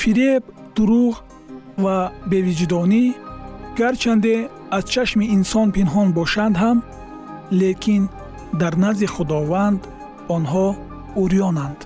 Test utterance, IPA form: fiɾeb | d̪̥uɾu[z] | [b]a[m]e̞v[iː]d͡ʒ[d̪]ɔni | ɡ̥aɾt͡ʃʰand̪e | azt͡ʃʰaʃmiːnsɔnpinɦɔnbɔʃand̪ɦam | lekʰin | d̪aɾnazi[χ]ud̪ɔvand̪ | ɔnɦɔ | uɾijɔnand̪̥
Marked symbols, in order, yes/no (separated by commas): no, no, no, no, yes, yes